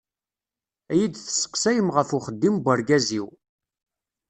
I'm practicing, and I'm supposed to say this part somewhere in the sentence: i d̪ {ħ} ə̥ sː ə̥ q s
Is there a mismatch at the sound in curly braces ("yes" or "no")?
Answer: yes